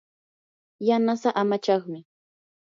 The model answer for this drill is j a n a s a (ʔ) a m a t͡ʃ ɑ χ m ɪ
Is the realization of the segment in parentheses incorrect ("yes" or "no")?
no